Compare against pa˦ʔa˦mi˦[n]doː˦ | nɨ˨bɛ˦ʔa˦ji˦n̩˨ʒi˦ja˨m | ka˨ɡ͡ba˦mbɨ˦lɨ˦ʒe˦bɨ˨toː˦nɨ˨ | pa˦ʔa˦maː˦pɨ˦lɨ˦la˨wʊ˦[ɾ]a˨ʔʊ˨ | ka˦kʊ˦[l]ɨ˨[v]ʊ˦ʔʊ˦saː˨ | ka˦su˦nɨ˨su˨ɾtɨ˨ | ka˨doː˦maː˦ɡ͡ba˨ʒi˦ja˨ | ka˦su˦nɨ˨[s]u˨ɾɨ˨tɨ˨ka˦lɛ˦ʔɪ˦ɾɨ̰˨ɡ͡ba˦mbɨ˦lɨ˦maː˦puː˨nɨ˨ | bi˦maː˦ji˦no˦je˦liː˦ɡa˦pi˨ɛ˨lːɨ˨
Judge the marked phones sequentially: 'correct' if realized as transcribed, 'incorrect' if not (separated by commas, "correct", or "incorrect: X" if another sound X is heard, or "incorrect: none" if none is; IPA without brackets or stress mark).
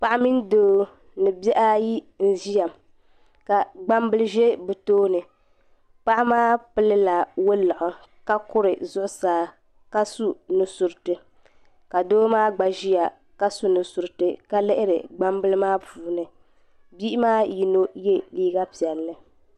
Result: correct, incorrect: l, incorrect: ɾ, incorrect: z, correct